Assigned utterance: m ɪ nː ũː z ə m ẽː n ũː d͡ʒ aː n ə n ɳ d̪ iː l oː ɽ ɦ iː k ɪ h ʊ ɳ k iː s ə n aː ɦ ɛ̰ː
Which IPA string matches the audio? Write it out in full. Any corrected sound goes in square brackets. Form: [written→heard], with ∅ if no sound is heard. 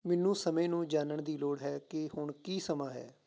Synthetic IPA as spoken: m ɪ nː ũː [z→s] ə m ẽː n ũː d͡ʒ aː n ə [n→∅] ɳ d̪ iː l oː ɽ ɦ [iː→ɛː] k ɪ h ʊ ɳ k iː s ə [n→m] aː ɦ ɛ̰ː